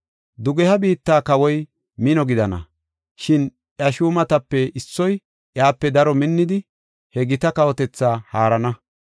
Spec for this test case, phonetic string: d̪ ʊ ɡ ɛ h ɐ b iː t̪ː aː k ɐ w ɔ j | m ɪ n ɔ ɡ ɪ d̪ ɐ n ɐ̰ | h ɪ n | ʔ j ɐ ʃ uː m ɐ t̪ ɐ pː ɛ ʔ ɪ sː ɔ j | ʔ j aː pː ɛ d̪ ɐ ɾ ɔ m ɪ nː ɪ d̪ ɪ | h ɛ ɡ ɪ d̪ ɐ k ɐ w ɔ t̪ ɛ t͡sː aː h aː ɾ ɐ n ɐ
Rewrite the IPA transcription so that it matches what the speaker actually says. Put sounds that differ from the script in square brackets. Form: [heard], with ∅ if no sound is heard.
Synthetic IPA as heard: d̪ ʊ ɡ ɛ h ɐ b iː t̪ː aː k ɐ w ɔ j | m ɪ n ɔ ɡ ɪ d̪ ɐ n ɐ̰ | [ʃ] ɪ n | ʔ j ɐ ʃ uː m ɐ t̪ ɐ pː ɛ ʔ ɪ sː ɔ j | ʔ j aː pː ɛ d̪ ɐ ɾ ɔ m ɪ nː ɪ d̪ ɪ | h ɛ ɡ ɪ [t̪] ɐ k ɐ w ɔ t̪ ɛ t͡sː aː h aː ɾ ɐ n ɐ